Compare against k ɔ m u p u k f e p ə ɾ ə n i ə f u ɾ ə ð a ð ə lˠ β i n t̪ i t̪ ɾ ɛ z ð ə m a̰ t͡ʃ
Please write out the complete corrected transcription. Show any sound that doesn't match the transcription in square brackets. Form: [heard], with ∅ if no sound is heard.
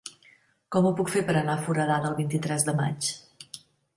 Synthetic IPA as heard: k ɔ m u p u k f e p ə ɾ ə n [a] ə f u ɾ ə ð a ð ə lˠ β i n t̪ i t̪ ɾ ɛ z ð ə m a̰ t͡ʃ